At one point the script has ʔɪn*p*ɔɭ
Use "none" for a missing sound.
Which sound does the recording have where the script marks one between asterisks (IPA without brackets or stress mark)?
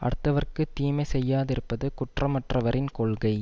k